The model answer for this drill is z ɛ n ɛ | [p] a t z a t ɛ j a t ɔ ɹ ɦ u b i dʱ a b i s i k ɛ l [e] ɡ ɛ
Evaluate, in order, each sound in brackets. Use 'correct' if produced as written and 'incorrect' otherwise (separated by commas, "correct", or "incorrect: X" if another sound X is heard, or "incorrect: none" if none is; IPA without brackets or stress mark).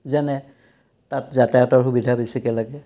incorrect: t, incorrect: a